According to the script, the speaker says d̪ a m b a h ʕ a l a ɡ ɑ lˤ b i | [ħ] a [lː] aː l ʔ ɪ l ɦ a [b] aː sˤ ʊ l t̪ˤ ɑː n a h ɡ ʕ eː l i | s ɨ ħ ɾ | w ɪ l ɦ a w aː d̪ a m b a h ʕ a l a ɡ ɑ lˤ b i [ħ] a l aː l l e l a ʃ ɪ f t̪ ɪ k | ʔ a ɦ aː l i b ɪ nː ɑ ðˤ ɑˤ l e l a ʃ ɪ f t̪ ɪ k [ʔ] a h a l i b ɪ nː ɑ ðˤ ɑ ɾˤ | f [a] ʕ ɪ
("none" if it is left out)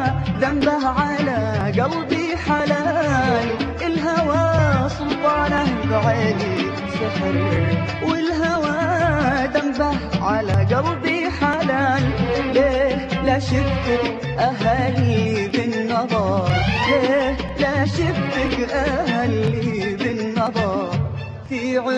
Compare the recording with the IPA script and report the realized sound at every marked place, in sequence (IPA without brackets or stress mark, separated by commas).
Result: ħ, l, w, ħ, ʔ, i